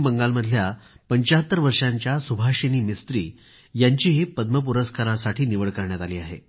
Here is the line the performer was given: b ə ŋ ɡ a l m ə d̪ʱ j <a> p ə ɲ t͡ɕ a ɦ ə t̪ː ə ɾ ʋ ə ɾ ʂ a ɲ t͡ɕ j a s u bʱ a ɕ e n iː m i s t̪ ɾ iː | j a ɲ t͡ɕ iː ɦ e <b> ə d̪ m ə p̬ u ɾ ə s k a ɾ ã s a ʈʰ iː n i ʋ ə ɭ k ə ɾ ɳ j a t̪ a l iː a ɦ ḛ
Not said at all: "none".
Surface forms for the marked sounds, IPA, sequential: a, p

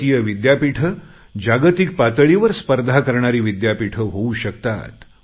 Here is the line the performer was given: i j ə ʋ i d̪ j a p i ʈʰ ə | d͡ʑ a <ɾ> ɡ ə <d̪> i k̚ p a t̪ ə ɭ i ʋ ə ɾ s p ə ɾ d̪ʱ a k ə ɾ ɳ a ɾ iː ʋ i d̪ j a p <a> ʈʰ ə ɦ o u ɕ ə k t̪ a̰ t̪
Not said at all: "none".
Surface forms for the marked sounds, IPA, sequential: none, t̪, i

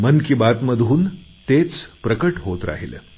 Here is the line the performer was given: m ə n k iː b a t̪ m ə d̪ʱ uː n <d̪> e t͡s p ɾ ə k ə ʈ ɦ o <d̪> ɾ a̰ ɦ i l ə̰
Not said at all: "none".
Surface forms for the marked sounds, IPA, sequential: t̪, t̪

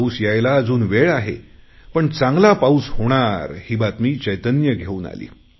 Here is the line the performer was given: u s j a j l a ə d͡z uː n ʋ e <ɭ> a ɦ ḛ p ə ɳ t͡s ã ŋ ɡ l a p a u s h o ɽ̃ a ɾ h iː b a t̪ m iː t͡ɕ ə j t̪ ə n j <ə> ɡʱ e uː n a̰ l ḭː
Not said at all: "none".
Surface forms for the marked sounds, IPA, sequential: ɭ, ə

